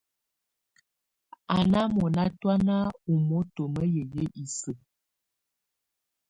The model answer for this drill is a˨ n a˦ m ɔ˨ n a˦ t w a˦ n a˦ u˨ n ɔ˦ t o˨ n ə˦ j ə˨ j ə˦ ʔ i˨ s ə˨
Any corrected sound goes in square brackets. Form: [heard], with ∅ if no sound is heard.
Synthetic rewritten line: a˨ n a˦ m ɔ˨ n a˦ t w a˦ n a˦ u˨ [m] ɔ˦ t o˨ [m] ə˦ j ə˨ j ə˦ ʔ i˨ s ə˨